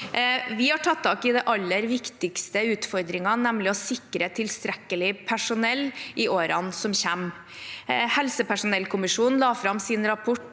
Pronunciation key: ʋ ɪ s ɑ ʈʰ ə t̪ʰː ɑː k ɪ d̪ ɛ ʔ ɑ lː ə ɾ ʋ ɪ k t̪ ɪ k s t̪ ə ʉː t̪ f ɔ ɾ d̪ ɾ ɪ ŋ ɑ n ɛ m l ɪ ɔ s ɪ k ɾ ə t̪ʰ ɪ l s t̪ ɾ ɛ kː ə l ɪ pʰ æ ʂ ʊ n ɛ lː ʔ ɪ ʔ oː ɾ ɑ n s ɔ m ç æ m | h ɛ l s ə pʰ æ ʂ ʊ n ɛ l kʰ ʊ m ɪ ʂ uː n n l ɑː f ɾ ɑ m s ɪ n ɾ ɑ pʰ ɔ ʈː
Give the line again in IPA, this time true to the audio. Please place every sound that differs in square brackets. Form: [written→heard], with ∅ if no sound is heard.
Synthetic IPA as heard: ʋ ɪ [s→h] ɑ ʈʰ [ə→ɑ] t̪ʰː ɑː k ɪ d̪ ɛ ʔ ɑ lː ə ɾ ʋ ɪ k t̪ ɪ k s t̪ ə ʉː t̪ f ɔ ɾ d̪ ɾ ɪ ŋ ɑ n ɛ m l ɪ ɔ s ɪ k ɾ ə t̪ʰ ɪ l s t̪ ɾ ɛ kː ə l ɪ pʰ æ ʂ ʊ n ɛ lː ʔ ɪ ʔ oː ɾ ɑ n s ɔ m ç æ m | h ɛ l s ə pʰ æ ʂ ʊ n ɛ l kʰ ʊ m ɪ ʂ uː n n l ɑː f ɾ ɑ m s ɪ n ɾ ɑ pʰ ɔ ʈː